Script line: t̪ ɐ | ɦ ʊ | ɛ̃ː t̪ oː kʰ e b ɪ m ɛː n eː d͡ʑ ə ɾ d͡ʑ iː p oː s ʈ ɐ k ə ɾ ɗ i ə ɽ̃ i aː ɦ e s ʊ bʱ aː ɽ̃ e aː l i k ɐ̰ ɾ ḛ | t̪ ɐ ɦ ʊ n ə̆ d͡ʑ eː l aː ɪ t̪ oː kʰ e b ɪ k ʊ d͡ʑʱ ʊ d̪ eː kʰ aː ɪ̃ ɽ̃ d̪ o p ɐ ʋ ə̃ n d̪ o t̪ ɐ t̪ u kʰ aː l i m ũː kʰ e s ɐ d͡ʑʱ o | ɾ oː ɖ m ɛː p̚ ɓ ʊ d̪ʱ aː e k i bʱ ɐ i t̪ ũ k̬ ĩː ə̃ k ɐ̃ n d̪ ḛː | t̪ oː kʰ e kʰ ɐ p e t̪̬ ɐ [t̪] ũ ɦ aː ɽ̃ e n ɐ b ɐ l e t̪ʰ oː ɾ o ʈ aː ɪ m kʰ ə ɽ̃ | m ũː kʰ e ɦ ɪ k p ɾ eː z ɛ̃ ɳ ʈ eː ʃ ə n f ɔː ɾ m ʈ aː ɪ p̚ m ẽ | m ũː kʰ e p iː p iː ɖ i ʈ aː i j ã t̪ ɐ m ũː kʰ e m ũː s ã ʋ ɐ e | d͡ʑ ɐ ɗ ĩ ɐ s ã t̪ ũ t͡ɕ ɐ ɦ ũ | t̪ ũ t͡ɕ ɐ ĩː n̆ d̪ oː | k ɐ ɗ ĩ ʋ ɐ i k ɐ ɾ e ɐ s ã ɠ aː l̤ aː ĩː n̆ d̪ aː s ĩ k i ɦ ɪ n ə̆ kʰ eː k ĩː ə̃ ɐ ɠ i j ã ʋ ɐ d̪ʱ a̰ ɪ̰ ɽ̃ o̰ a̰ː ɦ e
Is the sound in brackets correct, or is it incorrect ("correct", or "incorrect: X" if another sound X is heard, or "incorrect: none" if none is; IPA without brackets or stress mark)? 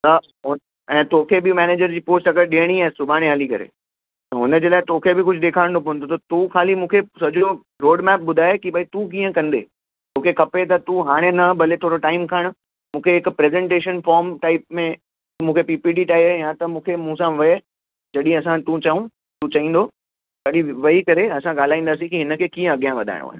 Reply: correct